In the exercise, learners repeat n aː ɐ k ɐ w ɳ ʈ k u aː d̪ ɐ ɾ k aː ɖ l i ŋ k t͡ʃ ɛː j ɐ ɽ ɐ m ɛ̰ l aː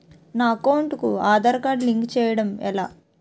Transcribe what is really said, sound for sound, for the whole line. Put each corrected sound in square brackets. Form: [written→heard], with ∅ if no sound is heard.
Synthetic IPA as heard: n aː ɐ k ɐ w ɳ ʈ k u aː d̪ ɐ ɾ k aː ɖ l i ŋ k t͡ʃ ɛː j ɐ ɽ ɐ m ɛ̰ l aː

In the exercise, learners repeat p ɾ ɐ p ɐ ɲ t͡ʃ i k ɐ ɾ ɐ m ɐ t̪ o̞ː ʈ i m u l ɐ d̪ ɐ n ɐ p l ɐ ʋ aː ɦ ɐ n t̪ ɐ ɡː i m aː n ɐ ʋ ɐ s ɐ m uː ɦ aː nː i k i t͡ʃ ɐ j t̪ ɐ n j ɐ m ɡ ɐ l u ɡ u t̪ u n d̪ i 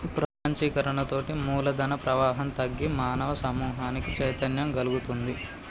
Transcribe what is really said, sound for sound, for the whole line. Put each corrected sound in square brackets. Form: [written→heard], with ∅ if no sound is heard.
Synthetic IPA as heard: p ɾ ɐ p ɐ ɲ t͡ʃ i k ɐ ɾ ɐ [m→ɳ] ɐ t̪ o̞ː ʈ i m [u→uː] l ɐ d̪ ɐ n ɐ p [l→ɾ] ɐ ʋ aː ɦ ɐ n t̪ ɐ ɡː i m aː n ɐ ʋ ɐ s ɐ m uː ɦ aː [nː→n] i k i t͡ʃ ɐ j t̪ ɐ n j ɐ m ɡ ɐ l u ɡ u t̪ u n d̪ i

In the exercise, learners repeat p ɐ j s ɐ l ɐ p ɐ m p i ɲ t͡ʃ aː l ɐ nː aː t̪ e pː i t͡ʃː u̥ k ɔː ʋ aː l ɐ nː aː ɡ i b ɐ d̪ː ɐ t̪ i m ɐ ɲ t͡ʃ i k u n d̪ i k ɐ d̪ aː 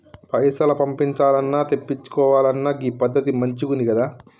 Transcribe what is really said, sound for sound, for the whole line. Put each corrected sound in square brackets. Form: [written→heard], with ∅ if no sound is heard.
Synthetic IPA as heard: p ɐ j s ɐ l ɐ p ɐ m p i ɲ t͡ʃ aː l ɐ nː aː t̪ e pː i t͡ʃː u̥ k ɔː ʋ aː l ɐ nː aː ɡ i [b→p] ɐ d̪ː ɐ t̪ i m ɐ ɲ t͡ʃ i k u n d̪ i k ɐ d̪ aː

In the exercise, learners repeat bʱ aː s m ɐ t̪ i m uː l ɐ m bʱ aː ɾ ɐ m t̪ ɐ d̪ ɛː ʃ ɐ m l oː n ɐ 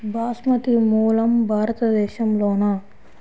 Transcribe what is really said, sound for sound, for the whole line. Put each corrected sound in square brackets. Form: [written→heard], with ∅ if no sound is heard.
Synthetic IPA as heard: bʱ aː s m ɐ t̪ i m uː l ɐ m bʱ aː ɾ ɐ [m→∅] t̪ ɐ d̪ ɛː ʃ ɐ m l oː n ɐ

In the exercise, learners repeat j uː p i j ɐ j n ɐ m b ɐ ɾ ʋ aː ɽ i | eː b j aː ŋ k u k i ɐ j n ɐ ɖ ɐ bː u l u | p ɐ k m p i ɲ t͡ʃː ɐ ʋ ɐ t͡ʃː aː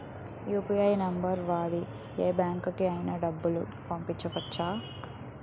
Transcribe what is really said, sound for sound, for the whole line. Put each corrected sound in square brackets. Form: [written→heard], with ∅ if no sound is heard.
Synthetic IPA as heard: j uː p i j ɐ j n ɐ m b ɐ ɾ ʋ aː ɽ i | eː b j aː ŋ k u k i ɐ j n ɐ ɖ ɐ bː u l u | p ɐ [k→∅] m p i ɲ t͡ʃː ɐ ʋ ɐ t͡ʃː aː

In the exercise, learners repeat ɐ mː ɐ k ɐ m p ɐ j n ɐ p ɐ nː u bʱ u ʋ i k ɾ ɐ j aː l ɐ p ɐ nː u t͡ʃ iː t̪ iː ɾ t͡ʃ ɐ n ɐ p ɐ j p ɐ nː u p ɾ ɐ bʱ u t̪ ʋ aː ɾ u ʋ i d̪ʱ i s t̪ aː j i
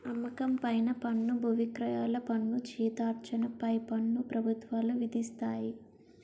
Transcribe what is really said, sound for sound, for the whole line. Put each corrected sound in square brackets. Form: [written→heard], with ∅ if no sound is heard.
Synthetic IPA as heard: ɐ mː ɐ k ɐ m p ɐ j n ɐ p ɐ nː u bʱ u ʋ i k ɾ ɐ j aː l ɐ p ɐ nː u t͡ʃ iː t̪ [iː→aː] ɾ t͡ʃ ɐ n ɐ p ɐ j p ɐ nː u p ɾ ɐ bʱ u t̪ ʋ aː [ɾ→l] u ʋ i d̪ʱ i s t̪ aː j i

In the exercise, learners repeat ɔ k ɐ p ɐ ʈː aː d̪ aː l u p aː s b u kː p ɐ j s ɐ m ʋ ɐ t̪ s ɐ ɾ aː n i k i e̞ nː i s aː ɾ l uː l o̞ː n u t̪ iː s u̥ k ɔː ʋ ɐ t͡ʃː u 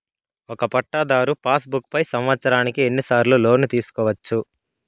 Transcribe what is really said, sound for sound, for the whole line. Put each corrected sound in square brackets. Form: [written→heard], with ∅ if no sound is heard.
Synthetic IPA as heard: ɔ k ɐ p ɐ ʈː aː d̪ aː [l→ɾ] u p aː s b u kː p ɐ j s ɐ m ʋ ɐ t̪ s ɐ ɾ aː n i k i e̞ nː i s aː ɾ l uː l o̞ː n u t̪ iː s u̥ k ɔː ʋ ɐ t͡ʃː u

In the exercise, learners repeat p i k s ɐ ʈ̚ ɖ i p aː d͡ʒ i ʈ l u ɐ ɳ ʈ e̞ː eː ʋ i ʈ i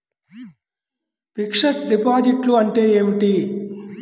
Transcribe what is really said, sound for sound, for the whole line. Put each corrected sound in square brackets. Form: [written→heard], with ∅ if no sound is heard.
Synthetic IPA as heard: p i k [s→ʂ] ɐ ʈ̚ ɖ i p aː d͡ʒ i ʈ l u ɐ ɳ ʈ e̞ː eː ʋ i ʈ i

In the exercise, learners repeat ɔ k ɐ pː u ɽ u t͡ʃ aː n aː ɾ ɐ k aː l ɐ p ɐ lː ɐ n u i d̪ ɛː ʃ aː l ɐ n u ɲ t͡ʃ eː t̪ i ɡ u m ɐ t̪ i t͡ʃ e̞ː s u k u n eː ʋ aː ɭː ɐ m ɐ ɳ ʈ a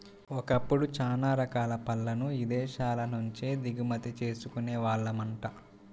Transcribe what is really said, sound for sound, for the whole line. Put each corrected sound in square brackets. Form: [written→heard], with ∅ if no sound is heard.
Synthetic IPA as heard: ɔ k ɐ pː u ɽ u t͡ʃ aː n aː ɾ ɐ k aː l ɐ p ɐ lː ɐ n u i d̪ ɛː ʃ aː l ɐ n u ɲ t͡ʃ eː [t̪→d̪] i ɡ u m ɐ t̪ i t͡ʃ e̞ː s u k u n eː ʋ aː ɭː ɐ m ɐ ɳ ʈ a

